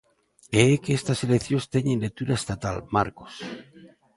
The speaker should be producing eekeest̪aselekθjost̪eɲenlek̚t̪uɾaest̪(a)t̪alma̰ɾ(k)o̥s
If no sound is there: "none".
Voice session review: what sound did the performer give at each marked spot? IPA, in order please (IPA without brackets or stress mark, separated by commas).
a, k